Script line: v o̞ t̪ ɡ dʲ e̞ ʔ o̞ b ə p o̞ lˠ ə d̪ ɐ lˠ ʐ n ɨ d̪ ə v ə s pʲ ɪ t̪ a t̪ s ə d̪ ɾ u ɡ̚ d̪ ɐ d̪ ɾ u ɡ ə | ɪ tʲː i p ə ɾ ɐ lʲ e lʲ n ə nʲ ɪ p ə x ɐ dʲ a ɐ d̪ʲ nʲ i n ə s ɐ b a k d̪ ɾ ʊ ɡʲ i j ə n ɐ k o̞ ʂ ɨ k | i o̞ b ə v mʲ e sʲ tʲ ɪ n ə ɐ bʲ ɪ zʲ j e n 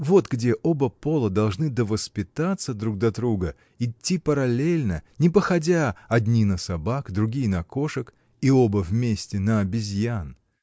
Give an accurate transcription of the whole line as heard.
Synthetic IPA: v o̞ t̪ ɡ dʲ e̞ ʔ o̞ b ə p o̞ lˠ ə d̪ ɐ lˠ ʐ n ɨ d̪ ə v ə s pʲ ɪ t̪ a t̪ s ə d̪ ɾ u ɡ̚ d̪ ɐ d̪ ɾ u ɡ ə | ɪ tʲː i p ə ɾ ɐ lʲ e lʲ n ə nʲ ɪ p ə x ɐ dʲ a ɐ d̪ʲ nʲ i n ə s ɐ b a k d̪ ɾ ʊ ɡʲ i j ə n ɐ k o̞ ʂ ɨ k | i o̞ b ə v mʲ e sʲ tʲ ɪ n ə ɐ bʲ ɪ zʲ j a n